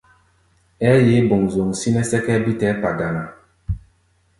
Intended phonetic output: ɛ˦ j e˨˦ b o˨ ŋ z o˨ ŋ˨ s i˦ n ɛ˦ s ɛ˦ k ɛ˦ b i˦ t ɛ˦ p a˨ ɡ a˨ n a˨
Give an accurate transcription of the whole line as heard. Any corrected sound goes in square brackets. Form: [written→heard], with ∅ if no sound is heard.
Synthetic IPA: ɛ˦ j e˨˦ b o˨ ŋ z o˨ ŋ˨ s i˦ n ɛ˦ s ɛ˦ k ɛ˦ b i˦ t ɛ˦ p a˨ ɡ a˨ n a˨

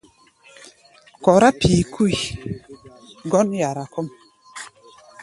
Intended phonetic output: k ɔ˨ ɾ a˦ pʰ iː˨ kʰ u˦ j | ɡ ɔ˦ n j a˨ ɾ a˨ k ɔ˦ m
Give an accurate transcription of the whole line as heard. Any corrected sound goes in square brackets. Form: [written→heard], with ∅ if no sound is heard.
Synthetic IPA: k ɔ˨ ɾ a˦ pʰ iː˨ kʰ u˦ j | ɡ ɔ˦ n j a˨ ɾ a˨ k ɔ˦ m

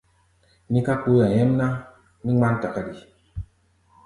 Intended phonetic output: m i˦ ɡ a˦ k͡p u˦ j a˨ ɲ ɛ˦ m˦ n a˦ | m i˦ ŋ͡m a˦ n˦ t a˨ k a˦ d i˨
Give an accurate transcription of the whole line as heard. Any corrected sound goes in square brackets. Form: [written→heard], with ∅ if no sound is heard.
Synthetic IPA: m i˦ [ɡ→k] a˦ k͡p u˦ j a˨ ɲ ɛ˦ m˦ n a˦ | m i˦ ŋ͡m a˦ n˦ t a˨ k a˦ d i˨

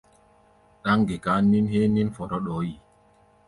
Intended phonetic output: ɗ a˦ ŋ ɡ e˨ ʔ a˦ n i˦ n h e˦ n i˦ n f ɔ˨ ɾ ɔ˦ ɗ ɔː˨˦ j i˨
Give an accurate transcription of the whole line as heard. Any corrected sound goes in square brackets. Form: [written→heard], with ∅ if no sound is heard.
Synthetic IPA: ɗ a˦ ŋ ɡ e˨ [ʔ→k] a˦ n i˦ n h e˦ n i˦ n f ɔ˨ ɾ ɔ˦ ɗ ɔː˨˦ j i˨

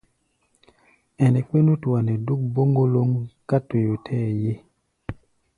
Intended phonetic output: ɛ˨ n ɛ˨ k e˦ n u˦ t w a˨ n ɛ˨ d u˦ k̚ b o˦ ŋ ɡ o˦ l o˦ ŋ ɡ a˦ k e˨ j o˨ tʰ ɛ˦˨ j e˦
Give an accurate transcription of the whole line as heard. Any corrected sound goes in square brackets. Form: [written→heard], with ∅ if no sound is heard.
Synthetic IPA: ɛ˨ n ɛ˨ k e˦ n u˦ t w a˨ n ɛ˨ d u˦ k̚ b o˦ ŋ ɡ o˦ l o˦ ŋ [ɡ→k] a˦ [k→t] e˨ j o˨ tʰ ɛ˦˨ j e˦

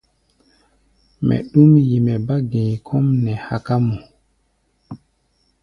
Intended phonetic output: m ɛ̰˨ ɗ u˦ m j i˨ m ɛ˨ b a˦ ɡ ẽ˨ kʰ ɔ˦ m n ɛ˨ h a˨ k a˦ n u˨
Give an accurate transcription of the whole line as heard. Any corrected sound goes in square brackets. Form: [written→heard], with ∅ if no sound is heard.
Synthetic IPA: m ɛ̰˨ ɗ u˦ m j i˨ m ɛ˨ b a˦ ɡ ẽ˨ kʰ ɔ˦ m n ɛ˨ h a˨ k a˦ [n→m] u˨

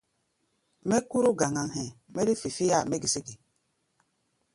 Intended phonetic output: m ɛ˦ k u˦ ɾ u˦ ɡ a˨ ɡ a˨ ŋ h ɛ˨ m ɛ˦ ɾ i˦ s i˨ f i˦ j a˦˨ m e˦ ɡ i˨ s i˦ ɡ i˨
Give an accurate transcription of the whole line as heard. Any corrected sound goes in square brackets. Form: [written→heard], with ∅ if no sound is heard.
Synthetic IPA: m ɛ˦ k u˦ ɾ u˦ ɡ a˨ [ɡ→ŋ] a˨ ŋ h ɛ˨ m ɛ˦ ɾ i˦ [s→f] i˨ f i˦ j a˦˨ m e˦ ɡ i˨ s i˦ ɡ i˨

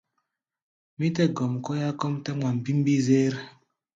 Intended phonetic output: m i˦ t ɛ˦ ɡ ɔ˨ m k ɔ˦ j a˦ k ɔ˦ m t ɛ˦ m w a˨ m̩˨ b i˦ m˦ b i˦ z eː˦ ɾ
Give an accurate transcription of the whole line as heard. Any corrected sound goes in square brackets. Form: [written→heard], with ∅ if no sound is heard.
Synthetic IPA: m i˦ t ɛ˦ ɡ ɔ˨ m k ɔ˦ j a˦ k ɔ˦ m t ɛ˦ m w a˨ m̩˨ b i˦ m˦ b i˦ z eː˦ ɾ

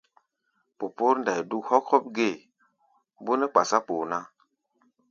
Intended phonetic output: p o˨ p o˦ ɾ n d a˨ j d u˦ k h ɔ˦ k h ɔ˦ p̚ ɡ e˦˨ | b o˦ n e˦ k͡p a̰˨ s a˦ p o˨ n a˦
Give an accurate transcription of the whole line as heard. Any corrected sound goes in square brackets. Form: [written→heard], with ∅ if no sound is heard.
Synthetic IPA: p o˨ p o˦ ɾ n d a˨ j d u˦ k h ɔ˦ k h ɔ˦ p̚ ɡ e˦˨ | b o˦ n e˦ k͡p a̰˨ s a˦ p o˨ n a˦

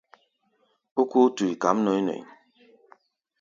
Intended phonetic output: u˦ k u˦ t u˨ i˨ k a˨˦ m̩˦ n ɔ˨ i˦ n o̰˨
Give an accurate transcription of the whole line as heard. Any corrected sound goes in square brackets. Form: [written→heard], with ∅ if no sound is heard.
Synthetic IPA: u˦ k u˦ t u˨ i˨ k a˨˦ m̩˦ n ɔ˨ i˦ n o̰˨

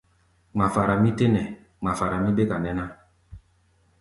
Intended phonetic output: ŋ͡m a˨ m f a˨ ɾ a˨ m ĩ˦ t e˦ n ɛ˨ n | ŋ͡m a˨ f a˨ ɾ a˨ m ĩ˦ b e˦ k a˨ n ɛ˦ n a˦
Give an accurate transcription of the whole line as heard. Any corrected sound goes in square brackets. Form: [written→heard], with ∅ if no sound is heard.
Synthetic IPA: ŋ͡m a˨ [m→∅] f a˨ ɾ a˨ m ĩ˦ t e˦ n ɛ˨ [n→∅] | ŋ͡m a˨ f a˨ ɾ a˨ m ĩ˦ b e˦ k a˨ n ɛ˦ n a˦

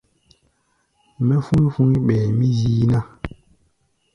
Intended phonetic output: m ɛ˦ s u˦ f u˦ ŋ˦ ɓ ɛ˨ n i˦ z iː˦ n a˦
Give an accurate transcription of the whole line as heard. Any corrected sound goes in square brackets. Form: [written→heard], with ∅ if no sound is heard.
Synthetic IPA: m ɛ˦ [s→f] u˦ f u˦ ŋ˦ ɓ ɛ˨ [n→m] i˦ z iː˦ n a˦

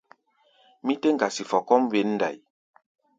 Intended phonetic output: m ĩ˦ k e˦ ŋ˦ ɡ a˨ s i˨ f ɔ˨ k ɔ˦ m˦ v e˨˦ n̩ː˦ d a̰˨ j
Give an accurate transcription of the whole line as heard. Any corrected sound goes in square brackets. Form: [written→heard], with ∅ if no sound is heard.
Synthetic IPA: m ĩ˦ [k→t] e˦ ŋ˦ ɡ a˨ s i˨ f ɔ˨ k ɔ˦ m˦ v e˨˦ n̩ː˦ d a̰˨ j

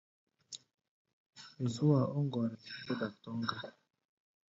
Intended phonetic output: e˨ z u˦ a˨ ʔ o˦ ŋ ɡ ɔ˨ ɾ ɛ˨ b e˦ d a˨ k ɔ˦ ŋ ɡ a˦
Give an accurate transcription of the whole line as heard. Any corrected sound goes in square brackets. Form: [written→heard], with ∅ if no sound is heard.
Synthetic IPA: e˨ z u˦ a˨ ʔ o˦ ŋ ɡ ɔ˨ ɾ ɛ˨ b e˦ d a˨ [k→t] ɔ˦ ŋ ɡ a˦

